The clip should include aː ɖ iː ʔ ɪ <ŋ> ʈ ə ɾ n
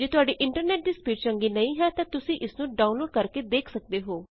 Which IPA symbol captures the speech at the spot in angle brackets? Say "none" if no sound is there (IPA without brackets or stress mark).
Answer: ɳ